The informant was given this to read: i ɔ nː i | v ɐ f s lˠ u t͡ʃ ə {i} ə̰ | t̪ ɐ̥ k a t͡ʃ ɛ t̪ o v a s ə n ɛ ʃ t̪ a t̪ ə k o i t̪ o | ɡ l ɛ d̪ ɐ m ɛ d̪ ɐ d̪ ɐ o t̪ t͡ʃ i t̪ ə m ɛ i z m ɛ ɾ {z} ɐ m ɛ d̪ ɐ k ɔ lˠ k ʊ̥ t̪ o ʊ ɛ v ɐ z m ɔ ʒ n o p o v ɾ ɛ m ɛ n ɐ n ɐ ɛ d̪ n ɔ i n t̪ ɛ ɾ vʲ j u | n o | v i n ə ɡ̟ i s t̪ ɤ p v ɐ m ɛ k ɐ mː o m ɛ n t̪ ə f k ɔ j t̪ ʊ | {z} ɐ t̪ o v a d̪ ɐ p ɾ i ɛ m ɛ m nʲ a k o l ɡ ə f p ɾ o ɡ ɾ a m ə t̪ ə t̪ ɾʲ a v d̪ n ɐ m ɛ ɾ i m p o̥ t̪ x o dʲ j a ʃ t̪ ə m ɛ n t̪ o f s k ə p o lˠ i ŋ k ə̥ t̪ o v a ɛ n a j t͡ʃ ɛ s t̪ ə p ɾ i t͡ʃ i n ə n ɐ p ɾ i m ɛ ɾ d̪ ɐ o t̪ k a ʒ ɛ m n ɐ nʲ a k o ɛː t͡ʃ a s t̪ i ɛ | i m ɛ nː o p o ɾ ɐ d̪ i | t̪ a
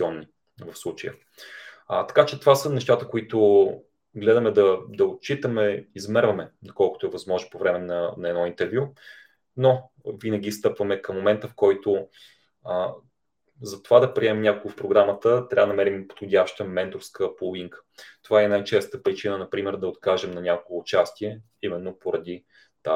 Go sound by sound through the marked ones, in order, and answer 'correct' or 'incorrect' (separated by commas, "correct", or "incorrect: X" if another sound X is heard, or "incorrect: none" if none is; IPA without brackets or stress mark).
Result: incorrect: j, incorrect: v, correct